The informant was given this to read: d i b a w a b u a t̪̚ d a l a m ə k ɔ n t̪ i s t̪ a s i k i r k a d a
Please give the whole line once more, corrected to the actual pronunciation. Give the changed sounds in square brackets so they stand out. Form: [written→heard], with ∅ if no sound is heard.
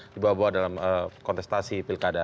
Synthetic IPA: d i b a w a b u a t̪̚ d a l a m ə k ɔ n t̪ [i→ɛ] s t̪ a s i [k→p] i [r→l] k a d a